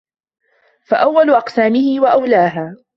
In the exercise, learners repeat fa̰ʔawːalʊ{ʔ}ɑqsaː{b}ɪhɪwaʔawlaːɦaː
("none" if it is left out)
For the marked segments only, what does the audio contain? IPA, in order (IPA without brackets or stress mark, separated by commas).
ʔ, m